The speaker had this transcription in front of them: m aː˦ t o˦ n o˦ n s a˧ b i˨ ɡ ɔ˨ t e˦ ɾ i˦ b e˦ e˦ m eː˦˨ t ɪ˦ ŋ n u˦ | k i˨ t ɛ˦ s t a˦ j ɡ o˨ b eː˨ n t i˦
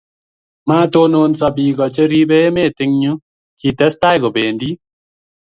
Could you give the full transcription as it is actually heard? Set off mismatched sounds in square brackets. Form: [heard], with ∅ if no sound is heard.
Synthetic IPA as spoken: m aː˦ t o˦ n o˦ n s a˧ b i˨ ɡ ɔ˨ [t͡ʃ] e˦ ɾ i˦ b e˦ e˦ m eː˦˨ t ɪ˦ ŋ [ɲ] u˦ | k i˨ t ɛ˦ s t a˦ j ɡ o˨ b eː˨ n [d] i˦